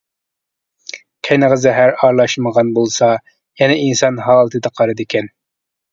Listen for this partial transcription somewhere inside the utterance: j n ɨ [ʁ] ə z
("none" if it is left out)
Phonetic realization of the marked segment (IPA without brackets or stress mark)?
ʁ